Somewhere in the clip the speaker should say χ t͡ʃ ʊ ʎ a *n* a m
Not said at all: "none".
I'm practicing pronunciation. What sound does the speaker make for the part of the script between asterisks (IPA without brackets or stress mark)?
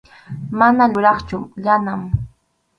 n